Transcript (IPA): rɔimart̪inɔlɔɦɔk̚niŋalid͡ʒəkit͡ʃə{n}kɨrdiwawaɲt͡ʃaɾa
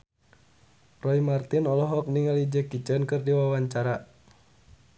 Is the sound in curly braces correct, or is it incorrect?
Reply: correct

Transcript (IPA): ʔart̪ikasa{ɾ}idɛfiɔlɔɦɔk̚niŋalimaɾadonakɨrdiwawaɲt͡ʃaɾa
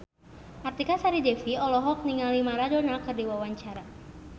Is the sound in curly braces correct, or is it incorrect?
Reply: correct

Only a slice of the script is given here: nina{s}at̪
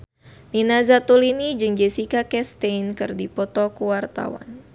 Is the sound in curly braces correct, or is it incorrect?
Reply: incorrect: z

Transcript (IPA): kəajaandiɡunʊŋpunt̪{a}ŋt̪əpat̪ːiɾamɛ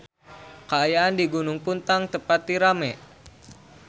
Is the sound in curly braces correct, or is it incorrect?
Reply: correct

